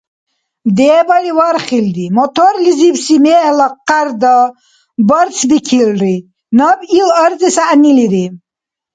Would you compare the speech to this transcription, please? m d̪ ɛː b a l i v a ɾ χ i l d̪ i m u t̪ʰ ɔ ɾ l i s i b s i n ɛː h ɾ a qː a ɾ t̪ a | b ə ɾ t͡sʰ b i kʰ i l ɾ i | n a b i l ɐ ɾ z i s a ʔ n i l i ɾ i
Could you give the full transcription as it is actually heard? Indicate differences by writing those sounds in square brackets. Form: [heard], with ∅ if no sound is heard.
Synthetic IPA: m d̪ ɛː b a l i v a ɾ χ i l d̪ i m [ɔ] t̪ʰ ɔ ɾ l i [z] i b s i [m] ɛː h [l] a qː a ɾ [d̪] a | b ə ɾ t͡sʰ b i kʰ i l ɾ i | n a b i l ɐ ɾ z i s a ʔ n i l i ɾ i